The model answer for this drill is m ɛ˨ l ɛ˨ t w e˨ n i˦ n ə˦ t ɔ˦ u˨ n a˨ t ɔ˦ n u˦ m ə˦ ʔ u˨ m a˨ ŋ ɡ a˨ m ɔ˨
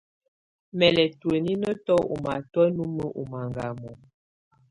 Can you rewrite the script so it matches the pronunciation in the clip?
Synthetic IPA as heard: m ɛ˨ l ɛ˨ t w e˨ n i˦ n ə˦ t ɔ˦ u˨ m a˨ t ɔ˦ n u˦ m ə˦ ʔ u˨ m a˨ ŋ ɡ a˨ m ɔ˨